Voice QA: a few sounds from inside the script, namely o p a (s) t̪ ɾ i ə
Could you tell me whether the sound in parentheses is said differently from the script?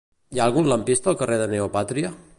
yes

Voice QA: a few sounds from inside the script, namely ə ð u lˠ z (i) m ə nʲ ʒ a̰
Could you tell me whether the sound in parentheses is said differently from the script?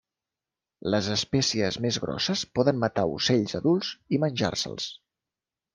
no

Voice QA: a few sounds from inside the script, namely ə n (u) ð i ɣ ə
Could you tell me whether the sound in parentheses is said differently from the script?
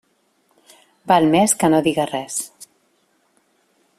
yes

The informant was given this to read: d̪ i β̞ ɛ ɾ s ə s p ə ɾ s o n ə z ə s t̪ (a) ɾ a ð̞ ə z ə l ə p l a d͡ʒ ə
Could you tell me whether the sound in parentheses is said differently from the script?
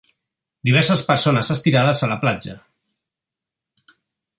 yes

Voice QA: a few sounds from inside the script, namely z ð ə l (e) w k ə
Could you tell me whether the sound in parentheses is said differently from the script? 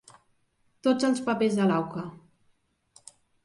yes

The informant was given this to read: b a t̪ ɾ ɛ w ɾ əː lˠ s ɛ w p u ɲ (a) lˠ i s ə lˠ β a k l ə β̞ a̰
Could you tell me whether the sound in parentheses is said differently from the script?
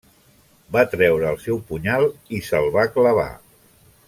no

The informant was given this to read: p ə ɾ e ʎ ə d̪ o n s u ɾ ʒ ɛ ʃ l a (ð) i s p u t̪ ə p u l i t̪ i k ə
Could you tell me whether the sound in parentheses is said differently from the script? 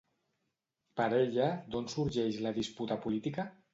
no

